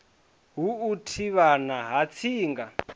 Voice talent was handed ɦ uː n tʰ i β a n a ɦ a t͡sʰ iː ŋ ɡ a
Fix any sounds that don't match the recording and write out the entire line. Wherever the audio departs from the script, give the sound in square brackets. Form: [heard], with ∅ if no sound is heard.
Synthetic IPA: ɦ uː [∅] tʰ i β a n a ɦ a t͡sʰ iː ŋ ɡ a